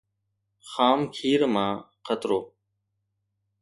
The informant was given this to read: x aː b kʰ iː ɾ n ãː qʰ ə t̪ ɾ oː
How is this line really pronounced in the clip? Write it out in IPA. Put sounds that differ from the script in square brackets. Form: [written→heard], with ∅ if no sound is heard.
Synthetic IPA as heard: x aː [b→m] kʰ iː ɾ [n→m] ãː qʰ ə t̪ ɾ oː

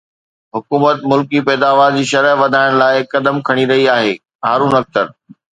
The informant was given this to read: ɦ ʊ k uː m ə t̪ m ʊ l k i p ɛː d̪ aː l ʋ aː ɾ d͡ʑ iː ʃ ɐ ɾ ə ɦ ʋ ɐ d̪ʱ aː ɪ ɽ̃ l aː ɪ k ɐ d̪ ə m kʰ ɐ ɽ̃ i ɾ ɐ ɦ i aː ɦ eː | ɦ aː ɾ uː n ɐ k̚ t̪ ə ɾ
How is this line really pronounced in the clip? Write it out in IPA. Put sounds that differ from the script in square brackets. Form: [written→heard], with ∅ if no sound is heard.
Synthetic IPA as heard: ɦ ʊ k uː m ə t̪ m ʊ l k i p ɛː d̪ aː [l→∅] ʋ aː ɾ d͡ʑ iː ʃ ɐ ɾ ə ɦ ʋ ɐ d̪ʱ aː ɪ ɽ̃ l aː ɪ k ɐ d̪ ə m kʰ ɐ ɽ̃ i ɾ ɐ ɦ i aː ɦ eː | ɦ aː ɾ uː n ɐ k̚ t̪ ə ɾ

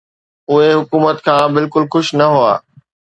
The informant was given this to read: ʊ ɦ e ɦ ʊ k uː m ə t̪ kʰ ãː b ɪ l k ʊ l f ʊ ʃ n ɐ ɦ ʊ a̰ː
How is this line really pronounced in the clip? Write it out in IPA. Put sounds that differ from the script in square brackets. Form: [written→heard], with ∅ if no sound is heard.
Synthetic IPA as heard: ʊ ɦ e ɦ ʊ k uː m ə t̪ kʰ ãː b ɪ l k ʊ l [f→x] ʊ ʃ n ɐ ɦ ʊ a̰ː

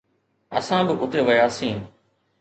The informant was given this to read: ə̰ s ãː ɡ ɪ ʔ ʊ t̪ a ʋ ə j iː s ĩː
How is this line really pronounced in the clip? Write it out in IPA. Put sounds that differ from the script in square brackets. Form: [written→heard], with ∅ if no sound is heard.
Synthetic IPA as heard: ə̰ s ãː [ɡ→b] ɪ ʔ ʊ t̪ [a→e] ʋ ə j [iː→aː] s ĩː

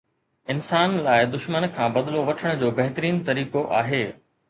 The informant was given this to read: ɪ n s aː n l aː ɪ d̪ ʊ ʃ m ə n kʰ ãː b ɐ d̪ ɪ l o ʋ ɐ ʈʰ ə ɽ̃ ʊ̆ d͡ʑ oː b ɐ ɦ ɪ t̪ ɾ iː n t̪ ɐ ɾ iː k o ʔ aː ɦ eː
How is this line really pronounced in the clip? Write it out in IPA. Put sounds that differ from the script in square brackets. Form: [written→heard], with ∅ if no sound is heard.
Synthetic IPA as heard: ɪ n s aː n l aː ɪ d̪ ʊ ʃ m ə n kʰ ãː b ɐ d̪ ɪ l o ʋ ɐ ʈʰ ə ɽ̃ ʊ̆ d͡ʑ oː b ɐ ɦ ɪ t̪ ɾ iː n t̪ ɐ ɾ iː k o ʔ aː ɦ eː

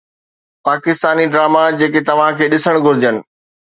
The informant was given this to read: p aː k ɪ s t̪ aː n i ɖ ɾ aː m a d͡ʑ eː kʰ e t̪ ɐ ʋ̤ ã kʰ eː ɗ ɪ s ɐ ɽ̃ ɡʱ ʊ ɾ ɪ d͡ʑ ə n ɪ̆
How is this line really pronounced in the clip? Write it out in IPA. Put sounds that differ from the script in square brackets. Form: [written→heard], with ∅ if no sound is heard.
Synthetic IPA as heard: p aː k ɪ s t̪ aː n i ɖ ɾ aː m a d͡ʑ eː [kʰ→k] e t̪ ɐ ʋ̤ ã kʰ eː ɗ ɪ s [ɐ→ə] ɽ̃ ɡʱ ʊ ɾ ɪ d͡ʑ ə n ɪ̆

